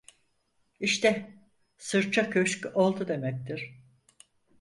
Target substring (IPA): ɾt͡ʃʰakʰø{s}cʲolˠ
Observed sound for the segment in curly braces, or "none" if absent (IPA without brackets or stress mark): ʃ